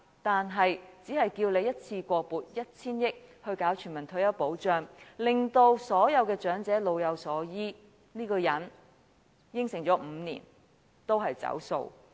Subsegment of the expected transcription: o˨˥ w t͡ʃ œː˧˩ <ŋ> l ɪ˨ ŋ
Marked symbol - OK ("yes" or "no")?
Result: yes